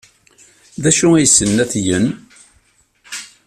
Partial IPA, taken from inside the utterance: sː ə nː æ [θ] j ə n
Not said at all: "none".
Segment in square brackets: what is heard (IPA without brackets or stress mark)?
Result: θ